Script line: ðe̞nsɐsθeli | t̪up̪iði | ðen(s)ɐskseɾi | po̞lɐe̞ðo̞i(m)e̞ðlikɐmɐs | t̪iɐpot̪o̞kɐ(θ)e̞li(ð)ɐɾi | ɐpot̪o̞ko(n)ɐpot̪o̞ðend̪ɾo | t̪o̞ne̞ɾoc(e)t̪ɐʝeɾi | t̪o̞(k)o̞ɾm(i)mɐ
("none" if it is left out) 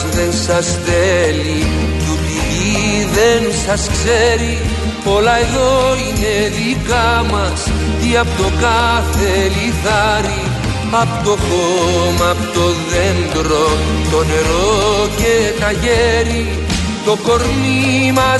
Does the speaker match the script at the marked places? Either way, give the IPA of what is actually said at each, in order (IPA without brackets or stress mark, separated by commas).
s, n, θ, θ, m, e, k, i